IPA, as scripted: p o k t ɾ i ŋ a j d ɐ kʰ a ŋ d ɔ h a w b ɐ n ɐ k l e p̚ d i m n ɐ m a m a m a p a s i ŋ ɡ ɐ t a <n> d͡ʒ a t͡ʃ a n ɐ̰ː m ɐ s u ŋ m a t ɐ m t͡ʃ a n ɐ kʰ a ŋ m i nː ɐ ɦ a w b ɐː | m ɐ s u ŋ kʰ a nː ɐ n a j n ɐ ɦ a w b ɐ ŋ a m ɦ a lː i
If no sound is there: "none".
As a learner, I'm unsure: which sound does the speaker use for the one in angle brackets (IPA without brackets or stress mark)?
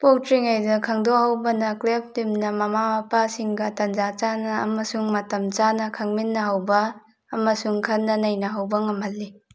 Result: n